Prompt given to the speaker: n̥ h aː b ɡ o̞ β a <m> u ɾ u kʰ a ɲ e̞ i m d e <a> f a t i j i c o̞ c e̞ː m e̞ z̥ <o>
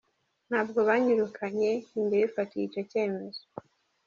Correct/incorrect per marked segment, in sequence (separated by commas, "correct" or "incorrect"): incorrect, incorrect, correct